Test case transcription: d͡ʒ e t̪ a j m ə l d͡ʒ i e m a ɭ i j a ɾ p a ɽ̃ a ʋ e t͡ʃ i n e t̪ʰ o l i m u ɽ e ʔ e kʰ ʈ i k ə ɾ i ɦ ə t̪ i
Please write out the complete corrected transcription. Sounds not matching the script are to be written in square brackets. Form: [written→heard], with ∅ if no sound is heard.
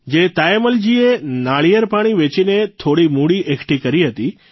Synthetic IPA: d͡ʒ e t̪ a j m ə l d͡ʒ i e [m→n] a ɭ i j [a→ə] ɾ p a ɽ̃ [a→i] ʋ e t͡ʃ i n e t̪ʰ o [l→ɽ] i m u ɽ [e→i] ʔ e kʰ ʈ i k ə ɾ i ɦ ə t̪ i

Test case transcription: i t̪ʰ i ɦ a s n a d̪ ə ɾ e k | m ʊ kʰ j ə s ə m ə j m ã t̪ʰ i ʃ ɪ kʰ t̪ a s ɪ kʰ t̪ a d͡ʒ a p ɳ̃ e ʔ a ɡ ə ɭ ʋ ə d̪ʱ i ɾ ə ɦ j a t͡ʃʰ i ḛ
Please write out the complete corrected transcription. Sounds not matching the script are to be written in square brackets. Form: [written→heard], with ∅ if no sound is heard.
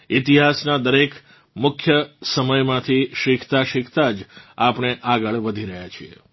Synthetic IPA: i [t̪ʰ→t̪] i ɦ a s n a d̪ ə ɾ e k | m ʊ kʰ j ə s ə m ə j m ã t̪ʰ i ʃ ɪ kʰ t̪ a [s→ʃ] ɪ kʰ t̪ a d͡ʒ a p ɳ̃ e ʔ a ɡ ə ɭ ʋ ə d̪ʱ i ɾ ə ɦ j a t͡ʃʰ i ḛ

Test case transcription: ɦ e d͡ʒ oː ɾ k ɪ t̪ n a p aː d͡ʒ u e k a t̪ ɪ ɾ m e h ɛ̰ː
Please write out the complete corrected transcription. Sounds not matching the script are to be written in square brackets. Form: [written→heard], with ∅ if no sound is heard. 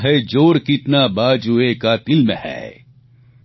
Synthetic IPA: ɦ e d͡ʒ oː ɾ k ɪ t̪ n a [p→b] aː d͡ʒ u e k a t̪ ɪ [ɾ→l] m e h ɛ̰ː

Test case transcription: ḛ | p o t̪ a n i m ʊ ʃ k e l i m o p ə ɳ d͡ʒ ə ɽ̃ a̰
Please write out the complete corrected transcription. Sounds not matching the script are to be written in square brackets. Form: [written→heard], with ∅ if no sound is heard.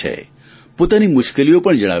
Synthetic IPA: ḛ | p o t̪ a n i m ʊ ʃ k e l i [m→∅] o p ə ɳ d͡ʒ ə ɽ̃ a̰

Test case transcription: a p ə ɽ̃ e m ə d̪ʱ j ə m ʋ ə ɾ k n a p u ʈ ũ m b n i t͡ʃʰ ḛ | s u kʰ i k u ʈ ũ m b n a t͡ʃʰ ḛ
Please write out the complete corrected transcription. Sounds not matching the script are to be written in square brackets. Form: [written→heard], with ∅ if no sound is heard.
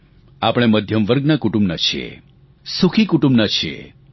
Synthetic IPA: a p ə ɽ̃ e m ə d̪ʱ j ə m ʋ ə ɾ [k→ɡ] n a [p→k] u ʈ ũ m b n [i→a] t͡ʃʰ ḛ | s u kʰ i k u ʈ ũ m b n a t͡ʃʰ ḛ

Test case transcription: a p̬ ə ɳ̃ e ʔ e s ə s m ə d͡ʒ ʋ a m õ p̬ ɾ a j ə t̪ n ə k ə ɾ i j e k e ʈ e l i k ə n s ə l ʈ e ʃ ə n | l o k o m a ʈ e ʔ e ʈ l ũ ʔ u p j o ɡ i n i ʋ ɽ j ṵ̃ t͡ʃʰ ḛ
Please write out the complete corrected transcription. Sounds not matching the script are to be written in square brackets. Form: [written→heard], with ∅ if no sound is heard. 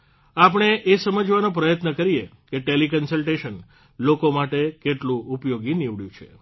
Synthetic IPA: a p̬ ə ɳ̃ e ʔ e s ə [s→∅] m ə d͡ʒ ʋ a [m→n] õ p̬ ɾ [a→ə] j ə t̪ n ə k ə ɾ i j e k e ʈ e l i k ə n s ə l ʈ e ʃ ə n | l o k o m a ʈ e [ʔ→k] e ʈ l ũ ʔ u p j o ɡ i n i ʋ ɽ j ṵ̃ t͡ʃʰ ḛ

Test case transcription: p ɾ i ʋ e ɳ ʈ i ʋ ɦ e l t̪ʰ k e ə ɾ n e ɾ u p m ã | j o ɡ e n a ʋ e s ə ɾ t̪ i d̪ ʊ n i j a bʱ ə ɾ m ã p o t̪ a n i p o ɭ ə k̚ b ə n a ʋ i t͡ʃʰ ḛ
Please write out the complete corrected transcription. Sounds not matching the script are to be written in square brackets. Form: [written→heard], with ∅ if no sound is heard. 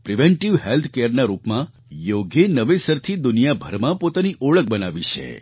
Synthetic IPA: p ɾ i ʋ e ɳ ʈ i ʋ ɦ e l t̪ʰ k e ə ɾ n [e→a] ɾ u p m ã | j o ɡ e n [a→ə] ʋ e s ə ɾ [t̪→t̪ʰ] i d̪ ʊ n i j a bʱ ə ɾ m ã p o t̪ a n i [p→ʔ] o ɭ ə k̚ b ə n a ʋ i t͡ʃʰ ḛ

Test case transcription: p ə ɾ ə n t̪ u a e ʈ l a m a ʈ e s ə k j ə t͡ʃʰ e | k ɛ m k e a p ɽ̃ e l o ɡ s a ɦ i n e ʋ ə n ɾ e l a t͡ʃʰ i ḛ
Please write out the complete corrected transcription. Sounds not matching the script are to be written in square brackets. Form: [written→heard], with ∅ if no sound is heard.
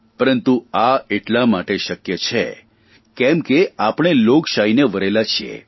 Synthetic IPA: p ə ɾ ə n t̪ u a e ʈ l a m a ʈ e [s→ʃ] ə k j ə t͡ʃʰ e | k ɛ m k e a p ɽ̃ e l o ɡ [s→ʃ] a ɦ i n e ʋ ə [n→∅] ɾ e l a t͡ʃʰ i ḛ

